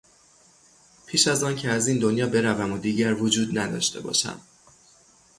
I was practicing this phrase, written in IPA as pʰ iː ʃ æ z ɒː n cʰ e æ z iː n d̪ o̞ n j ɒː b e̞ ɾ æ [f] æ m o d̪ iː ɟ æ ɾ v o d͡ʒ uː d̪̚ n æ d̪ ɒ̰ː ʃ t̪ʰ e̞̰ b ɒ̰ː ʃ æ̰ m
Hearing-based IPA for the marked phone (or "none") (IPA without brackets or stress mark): v